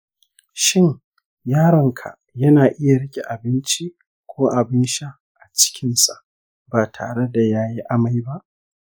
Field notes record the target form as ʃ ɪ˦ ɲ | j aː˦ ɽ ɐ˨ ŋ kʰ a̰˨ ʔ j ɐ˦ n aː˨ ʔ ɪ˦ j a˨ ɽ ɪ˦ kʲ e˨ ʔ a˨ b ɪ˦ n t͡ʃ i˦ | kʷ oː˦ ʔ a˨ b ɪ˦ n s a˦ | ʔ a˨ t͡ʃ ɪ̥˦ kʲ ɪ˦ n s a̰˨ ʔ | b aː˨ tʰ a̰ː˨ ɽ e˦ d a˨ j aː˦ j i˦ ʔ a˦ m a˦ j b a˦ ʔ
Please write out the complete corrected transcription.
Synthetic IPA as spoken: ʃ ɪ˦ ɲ | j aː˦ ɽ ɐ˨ ŋ kʰ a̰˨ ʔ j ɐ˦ n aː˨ ʔ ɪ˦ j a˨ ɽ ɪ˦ kʲ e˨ ʔ a˨ b ɪ˦ n t͡ʃ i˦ | kʷ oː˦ ʔ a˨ b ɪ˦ n ʃ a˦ | ʔ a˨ t͡ʃ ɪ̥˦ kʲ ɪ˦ n s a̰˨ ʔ | b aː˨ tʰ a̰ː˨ ɽ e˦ d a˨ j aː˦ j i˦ ʔ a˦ m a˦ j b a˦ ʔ

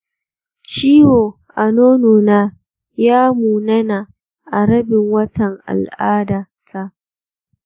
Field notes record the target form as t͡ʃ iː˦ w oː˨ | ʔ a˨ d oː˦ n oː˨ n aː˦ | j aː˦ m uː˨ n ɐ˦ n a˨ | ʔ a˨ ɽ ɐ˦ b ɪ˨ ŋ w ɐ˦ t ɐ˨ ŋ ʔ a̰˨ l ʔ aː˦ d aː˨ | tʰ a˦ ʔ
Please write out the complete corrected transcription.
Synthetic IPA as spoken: t͡ʃ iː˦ w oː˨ | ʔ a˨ n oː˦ n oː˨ n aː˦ | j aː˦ m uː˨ n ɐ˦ n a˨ | ʔ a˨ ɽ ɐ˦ b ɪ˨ ŋ w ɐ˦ t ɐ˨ ŋ ʔ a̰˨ l ʔ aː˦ d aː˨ | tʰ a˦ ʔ

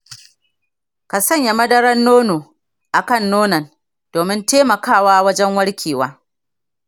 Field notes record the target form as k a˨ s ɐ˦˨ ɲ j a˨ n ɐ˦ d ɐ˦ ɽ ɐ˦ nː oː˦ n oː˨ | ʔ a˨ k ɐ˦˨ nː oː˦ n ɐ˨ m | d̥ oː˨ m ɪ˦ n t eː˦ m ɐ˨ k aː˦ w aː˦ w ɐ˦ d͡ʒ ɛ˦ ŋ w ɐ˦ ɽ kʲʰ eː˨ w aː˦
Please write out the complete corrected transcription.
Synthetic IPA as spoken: k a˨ s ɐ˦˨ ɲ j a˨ m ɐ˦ d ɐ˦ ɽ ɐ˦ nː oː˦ n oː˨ | ʔ a˨ k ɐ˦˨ nː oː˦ n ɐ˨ n | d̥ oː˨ m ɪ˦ n t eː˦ m ɐ˨ k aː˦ w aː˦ w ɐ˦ d͡ʒ ɛ˦ ŋ w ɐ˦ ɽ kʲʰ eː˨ w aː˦

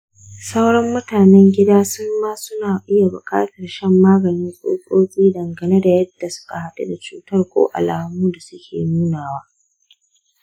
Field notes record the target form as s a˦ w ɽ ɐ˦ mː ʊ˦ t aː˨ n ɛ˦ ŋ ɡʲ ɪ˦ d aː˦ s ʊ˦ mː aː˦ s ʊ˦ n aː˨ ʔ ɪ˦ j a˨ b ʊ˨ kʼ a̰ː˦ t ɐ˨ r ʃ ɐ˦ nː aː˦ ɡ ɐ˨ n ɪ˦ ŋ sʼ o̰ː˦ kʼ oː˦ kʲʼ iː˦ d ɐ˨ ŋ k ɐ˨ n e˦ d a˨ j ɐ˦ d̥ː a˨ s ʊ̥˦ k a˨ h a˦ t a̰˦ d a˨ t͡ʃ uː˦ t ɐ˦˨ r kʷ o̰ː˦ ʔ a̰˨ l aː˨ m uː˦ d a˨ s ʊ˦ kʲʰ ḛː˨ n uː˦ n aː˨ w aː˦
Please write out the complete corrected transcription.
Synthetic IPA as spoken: s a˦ w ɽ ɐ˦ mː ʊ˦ t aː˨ n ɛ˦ ŋ ɡʲ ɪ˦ d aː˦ s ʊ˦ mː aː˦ s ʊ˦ n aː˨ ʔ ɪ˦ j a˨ b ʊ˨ kʼ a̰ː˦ t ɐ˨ r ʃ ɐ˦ mː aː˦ ɡ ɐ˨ n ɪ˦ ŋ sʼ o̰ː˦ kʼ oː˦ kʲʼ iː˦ d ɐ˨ ŋ ɡ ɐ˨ n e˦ d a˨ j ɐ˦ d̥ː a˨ s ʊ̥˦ k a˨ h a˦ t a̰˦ d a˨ t͡ʃ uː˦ t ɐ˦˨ r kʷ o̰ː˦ ʔ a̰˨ l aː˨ m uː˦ d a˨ s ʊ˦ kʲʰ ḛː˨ n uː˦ n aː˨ w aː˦

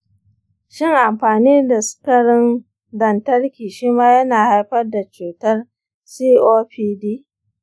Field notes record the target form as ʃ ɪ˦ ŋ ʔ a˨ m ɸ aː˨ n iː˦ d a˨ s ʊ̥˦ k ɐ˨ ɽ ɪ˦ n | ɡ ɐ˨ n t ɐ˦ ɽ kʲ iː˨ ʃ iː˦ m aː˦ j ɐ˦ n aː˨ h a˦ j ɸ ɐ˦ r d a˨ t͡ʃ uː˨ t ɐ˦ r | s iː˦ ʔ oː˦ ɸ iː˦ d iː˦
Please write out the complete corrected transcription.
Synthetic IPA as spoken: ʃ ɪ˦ ŋ ʔ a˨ m ɸ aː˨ n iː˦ d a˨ s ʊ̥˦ k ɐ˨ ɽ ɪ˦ n | d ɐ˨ n t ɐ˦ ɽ kʲ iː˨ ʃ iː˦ m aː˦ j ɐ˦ n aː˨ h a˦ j ɸ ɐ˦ r d a˨ t͡ʃ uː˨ t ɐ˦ r | s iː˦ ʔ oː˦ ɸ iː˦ d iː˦

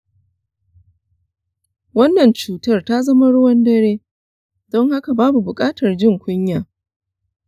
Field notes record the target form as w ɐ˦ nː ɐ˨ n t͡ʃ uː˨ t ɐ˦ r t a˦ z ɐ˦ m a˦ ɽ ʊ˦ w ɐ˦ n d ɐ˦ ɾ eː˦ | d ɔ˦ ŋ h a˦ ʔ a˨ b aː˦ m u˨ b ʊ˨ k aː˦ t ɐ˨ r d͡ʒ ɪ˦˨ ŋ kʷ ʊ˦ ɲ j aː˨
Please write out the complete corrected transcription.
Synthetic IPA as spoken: w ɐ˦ nː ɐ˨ n t͡ʃ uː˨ t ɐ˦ r t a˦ z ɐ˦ m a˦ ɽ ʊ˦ w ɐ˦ n d ɐ˦ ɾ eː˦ | d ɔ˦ ŋ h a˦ k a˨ b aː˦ b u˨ b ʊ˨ kʼ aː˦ t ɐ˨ r d͡ʒ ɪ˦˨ ŋ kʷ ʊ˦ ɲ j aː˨

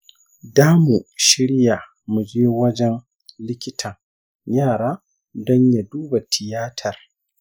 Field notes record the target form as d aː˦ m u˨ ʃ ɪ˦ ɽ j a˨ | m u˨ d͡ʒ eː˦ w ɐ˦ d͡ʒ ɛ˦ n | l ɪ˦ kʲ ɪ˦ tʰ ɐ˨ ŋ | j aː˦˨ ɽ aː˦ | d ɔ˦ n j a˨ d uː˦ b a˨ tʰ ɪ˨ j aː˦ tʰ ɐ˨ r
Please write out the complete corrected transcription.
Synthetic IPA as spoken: d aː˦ m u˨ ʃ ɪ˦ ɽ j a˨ | m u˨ d͡ʒ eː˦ w ɐ˦ d͡ʒ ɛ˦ n | l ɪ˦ kʲ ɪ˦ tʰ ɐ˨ ŋ | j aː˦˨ ɽ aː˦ | d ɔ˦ ɲ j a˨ d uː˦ b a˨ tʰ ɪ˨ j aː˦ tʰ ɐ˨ r

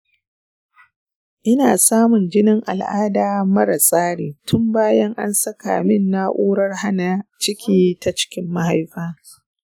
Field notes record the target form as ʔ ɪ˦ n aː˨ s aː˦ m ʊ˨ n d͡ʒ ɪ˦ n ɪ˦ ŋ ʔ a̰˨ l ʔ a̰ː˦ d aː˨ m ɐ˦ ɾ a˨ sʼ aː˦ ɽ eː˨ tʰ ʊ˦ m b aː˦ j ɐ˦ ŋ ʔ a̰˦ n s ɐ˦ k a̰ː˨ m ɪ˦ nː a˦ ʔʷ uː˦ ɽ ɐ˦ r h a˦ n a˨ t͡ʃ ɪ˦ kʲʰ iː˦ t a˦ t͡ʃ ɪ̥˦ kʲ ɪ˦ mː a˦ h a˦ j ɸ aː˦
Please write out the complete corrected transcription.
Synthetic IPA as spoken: ʔ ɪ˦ n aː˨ s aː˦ m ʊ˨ n d͡ʒ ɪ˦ n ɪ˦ ŋ ʔ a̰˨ l ʔ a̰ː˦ d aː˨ m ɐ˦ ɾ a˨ sʼ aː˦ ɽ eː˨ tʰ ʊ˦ m b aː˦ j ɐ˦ ŋ ʔ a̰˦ n s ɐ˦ k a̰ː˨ m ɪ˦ nː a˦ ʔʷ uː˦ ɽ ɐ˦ r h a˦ n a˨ t͡ʃ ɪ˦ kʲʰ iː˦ t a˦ t͡ʃ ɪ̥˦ kʲ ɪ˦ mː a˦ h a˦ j ɸ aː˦

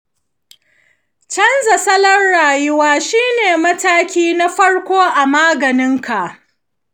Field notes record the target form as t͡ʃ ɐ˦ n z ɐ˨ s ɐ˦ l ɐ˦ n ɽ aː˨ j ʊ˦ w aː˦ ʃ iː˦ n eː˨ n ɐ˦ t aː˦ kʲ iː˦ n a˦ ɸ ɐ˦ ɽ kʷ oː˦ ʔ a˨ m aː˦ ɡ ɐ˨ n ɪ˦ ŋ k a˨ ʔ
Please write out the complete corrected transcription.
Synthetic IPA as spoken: t͡ʃ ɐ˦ n z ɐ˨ s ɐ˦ l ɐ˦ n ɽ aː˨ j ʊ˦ w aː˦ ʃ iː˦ n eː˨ m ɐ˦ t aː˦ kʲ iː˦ n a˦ ɸ ɐ˦ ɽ kʷ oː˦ ʔ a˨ m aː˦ ɡ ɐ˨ n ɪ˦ ŋ k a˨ ʔ

